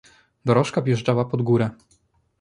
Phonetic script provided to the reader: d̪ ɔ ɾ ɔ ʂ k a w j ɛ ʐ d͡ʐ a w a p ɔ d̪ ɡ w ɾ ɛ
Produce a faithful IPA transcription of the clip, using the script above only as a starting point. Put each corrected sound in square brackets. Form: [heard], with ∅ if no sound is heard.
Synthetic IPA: d̪ ɔ ɾ ɔ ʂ k a [v] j ɛ ʐ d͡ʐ a w a p ɔ d̪ ɡ [u] ɾ ɛ